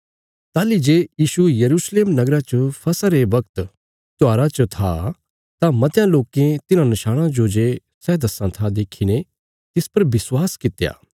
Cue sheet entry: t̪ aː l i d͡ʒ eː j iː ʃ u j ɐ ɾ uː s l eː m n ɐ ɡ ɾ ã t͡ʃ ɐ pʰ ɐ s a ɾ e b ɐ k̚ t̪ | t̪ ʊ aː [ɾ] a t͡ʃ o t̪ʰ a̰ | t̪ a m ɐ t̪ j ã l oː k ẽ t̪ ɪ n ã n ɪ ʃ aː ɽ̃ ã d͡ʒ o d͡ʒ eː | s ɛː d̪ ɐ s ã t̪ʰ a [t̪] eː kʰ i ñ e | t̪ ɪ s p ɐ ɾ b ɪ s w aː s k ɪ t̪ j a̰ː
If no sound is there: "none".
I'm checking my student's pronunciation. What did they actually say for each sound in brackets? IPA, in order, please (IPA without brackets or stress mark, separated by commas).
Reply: ɾ, d̪